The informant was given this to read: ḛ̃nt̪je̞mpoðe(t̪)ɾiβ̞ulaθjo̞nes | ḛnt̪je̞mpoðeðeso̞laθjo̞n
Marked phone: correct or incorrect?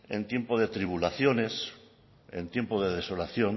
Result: correct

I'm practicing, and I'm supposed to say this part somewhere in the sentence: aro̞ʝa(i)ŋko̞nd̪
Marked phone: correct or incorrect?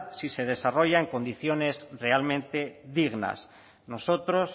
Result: incorrect: e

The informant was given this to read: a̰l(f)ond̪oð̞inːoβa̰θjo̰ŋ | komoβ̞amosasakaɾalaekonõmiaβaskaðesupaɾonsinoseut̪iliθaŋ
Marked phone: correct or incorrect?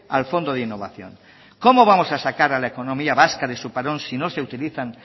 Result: correct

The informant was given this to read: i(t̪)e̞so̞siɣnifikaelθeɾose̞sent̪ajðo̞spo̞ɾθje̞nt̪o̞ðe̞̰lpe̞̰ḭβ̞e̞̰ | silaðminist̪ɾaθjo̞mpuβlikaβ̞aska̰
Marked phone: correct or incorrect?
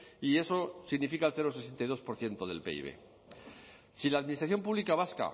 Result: incorrect: none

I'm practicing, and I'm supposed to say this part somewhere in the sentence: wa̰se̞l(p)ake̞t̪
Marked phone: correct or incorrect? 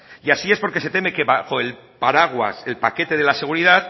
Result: correct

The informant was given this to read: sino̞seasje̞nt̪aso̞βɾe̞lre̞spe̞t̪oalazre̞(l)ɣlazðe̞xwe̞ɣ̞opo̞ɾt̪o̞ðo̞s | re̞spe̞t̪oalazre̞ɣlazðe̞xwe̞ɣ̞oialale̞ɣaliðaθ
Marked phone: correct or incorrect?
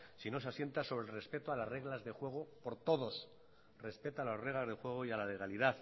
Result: incorrect: none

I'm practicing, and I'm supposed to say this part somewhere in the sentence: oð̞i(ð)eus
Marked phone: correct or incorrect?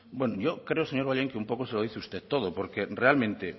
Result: incorrect: θ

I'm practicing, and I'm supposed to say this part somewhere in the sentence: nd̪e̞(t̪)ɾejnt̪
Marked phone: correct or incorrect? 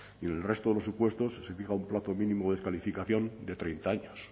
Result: correct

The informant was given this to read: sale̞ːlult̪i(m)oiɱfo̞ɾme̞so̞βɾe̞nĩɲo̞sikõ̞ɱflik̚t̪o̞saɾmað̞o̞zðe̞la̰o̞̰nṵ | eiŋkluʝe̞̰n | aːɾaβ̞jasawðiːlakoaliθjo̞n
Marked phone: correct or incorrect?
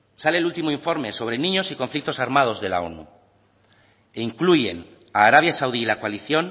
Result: correct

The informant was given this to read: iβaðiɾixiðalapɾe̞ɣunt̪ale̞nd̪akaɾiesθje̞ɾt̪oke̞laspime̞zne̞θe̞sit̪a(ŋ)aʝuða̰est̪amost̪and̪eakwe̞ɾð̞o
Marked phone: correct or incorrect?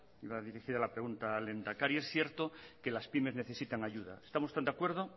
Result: correct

